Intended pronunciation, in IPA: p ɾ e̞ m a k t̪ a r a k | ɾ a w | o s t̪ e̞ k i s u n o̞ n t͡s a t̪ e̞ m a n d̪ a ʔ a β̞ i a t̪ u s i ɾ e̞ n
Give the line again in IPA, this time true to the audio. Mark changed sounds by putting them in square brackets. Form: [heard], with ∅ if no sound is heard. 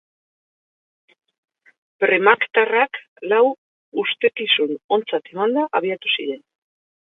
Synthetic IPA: p ɾ e̞ m a k t̪ a r a k | [l] a w | [u] s t̪ e̞ k i s u n o̞ n t͡s a t̪ e̞ m a n d̪ a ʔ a β̞ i a t̪ u s i ɾ e̞ n